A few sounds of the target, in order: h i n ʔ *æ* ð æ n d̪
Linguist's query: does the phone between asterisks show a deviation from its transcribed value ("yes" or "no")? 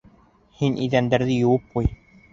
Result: yes